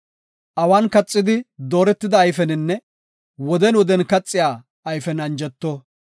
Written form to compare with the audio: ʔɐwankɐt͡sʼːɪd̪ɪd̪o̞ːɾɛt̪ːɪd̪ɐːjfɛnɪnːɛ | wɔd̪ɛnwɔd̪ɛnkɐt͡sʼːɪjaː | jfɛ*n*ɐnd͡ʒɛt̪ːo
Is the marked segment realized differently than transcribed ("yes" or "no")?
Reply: no